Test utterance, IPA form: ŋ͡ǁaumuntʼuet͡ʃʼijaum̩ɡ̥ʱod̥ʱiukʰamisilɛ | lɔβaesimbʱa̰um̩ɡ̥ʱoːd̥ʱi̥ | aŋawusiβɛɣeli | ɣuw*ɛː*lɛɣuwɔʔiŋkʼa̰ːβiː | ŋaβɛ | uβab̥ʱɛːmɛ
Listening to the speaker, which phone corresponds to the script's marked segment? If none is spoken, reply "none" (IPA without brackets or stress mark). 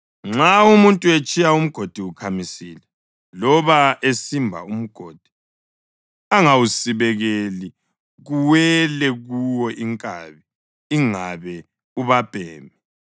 ɛ